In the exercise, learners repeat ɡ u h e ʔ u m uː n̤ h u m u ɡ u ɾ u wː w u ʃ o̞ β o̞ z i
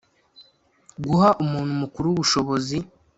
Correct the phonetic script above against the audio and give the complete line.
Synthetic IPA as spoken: ɡ u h a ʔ u m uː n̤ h u m u k u ɾ u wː β u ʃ o̞ β o̞ z i